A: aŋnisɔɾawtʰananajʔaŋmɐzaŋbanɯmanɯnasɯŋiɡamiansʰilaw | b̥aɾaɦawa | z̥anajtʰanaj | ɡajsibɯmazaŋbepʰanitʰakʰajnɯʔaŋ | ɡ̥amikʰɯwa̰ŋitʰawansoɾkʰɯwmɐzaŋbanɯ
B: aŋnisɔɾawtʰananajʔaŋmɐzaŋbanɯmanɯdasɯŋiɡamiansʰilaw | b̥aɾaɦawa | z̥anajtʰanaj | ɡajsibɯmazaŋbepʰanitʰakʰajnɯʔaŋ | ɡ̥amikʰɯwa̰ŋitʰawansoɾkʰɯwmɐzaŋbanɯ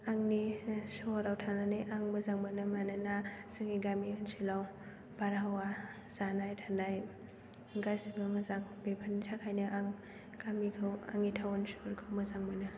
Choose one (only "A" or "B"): A